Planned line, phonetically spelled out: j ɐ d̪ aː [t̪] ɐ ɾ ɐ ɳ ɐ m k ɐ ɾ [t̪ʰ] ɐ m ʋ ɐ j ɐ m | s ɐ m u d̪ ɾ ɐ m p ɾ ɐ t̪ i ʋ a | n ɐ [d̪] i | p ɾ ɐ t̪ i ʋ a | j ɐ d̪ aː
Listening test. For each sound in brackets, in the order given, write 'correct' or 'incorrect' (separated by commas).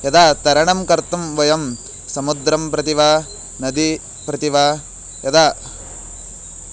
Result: correct, incorrect, correct